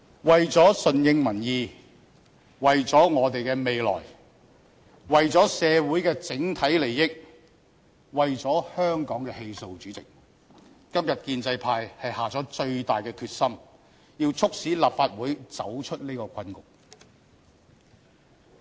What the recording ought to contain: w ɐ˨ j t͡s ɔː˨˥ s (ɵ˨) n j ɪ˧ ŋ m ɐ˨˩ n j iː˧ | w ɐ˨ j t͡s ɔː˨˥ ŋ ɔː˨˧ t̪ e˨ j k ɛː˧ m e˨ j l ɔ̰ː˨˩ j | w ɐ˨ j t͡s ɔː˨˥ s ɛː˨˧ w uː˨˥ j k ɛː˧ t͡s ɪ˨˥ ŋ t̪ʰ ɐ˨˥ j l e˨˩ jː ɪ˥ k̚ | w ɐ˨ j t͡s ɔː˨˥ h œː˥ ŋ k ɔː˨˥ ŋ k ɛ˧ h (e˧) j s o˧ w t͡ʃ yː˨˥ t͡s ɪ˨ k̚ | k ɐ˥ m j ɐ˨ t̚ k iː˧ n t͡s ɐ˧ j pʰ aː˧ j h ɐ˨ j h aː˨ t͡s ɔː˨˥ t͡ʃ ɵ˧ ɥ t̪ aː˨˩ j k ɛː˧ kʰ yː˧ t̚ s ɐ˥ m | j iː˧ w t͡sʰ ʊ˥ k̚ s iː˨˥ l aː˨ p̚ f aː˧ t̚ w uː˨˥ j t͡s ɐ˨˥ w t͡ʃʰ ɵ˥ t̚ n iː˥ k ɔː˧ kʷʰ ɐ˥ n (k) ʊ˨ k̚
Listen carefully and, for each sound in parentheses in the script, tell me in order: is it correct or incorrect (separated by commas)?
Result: correct, correct, correct